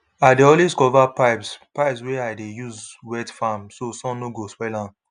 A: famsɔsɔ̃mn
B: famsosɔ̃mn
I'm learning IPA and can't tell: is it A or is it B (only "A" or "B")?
B